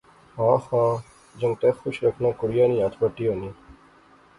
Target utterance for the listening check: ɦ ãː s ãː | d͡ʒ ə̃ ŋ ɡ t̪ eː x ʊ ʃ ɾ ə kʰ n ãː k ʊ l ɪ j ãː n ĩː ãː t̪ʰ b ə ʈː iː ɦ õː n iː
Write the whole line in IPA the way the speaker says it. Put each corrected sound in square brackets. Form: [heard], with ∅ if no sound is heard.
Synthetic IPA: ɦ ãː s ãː | d͡ʒ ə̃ ŋ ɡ t̪ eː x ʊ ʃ ɾ ə kʰ n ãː k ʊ [ɽ] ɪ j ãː n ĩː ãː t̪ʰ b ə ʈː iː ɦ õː n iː

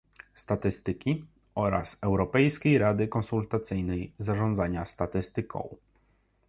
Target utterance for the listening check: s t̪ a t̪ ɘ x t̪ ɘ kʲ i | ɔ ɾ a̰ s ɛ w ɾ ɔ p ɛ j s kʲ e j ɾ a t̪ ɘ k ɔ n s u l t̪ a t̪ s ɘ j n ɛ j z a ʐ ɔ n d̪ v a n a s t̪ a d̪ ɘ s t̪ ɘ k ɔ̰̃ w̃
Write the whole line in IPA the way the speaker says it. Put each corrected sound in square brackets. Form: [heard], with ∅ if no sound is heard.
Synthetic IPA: s t̪ a t̪ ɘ [s] t̪ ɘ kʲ i | ɔ ɾ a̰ s ɛ w ɾ ɔ p ɛ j s kʲ e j ɾ a [d̪] ɘ k ɔ n s u l t̪ a t̪ s ɘ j n ɛ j z a ʐ ɔ n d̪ [z] a [ɲ] a s t̪ a [t̪] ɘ s t̪ ɘ k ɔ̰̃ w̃

